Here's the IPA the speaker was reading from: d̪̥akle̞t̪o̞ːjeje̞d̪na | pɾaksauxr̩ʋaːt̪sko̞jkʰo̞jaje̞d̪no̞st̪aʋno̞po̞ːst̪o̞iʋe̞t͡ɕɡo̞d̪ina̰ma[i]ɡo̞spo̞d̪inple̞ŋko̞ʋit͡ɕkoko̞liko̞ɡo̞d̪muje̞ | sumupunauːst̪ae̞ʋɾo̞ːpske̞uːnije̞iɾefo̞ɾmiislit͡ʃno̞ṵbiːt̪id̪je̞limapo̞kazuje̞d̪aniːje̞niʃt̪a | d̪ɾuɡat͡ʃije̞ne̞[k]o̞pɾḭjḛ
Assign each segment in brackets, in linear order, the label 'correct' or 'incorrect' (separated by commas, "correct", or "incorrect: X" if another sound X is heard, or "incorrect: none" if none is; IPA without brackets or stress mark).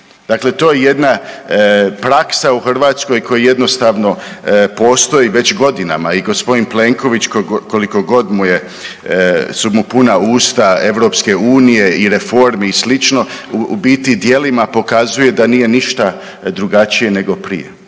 correct, incorrect: ɡ